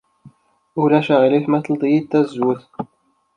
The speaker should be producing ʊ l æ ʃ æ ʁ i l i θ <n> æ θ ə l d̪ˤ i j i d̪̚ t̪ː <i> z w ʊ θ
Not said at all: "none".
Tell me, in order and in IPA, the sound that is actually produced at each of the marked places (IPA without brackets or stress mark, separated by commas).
m, æ